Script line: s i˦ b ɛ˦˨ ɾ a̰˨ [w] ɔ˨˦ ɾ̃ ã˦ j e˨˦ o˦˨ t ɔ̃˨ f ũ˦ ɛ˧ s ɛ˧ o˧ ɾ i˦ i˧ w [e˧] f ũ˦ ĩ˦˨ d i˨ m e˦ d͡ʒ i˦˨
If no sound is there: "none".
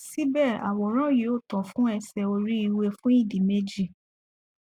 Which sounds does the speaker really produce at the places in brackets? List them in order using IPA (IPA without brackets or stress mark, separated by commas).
w, e˧